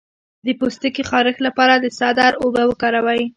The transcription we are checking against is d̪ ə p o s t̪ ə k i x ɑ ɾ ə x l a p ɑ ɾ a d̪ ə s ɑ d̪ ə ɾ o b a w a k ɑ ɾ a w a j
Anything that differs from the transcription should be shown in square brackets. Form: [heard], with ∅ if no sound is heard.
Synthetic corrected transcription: d̪ ə p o s t̪ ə k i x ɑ ɾ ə x l a p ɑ ɾ a d̪ ə s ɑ d̪ [ɑ] ɾ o b a w [ə] k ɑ ɾ a w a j